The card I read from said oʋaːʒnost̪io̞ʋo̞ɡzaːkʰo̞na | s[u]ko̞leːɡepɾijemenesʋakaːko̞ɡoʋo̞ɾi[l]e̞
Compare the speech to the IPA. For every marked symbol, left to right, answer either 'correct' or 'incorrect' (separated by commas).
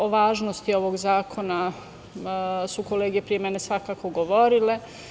correct, correct